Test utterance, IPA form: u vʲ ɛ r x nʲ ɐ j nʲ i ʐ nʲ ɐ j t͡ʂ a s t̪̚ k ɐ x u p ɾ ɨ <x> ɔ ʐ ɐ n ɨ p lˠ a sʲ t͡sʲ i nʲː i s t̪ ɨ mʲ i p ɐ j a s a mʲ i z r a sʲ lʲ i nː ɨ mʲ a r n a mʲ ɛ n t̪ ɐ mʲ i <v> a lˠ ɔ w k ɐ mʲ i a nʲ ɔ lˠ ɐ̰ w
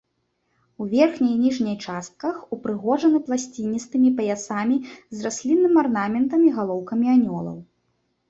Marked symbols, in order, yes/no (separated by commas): no, no